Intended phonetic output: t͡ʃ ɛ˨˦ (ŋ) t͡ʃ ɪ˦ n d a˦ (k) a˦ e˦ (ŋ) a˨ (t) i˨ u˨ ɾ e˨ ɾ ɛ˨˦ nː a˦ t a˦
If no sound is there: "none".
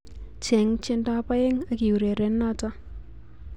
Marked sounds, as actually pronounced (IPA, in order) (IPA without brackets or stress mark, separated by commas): ŋ, p, ŋ, k